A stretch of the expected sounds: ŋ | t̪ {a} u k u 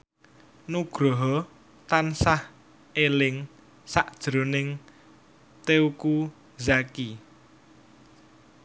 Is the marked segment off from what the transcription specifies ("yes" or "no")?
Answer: yes